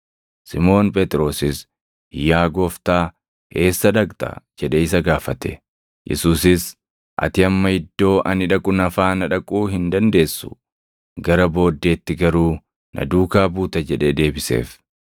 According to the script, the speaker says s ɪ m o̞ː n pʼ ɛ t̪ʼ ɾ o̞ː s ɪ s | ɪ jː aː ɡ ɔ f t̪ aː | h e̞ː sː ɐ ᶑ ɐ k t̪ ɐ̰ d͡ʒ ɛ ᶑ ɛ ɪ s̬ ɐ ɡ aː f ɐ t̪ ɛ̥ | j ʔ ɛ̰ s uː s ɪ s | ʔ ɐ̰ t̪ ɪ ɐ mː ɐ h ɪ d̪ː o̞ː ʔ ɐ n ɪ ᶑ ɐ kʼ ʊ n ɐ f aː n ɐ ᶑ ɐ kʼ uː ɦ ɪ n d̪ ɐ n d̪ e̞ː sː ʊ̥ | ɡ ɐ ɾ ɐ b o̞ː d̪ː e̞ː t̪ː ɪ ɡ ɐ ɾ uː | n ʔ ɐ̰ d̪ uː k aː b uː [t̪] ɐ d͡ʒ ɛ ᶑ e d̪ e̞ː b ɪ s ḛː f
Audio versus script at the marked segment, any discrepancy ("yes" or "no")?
no